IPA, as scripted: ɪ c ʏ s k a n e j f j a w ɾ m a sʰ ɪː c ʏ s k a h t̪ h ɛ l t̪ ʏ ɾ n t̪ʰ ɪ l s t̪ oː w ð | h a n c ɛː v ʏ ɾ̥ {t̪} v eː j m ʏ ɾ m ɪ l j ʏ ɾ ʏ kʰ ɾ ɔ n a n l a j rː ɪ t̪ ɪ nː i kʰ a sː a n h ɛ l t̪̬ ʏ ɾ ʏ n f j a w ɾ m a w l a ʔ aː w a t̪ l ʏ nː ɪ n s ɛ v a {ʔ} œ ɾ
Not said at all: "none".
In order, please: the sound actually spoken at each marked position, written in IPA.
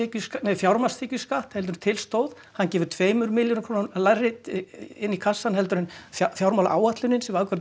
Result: t̪ʰ, k

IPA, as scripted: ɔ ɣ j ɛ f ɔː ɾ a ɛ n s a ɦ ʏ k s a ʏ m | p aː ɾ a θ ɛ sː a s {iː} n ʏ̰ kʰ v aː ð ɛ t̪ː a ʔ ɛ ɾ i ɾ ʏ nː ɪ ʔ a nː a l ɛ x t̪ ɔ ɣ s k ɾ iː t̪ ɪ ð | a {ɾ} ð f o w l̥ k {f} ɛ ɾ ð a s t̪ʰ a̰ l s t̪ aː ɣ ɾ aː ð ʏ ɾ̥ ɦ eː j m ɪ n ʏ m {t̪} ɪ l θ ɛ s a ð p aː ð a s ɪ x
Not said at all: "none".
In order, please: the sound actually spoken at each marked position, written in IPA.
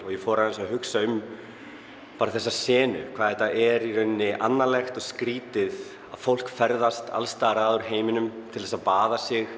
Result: ɛː, none, f, t̪ʰ

